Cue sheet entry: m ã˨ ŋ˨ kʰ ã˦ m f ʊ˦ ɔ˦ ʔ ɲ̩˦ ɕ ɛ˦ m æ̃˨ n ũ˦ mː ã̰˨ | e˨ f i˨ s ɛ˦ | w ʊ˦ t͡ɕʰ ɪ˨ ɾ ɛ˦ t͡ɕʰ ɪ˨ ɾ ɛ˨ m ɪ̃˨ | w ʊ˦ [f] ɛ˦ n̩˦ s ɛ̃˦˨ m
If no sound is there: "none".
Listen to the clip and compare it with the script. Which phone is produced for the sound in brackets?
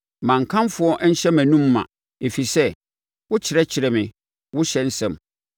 ɕ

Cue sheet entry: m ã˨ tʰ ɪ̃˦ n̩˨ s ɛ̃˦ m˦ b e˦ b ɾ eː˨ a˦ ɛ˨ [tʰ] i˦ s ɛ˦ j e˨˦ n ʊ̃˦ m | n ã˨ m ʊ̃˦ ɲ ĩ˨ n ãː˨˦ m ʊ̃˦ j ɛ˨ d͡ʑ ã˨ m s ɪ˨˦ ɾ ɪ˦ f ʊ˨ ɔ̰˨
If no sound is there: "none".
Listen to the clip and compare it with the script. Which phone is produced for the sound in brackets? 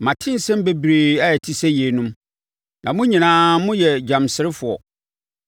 tʰ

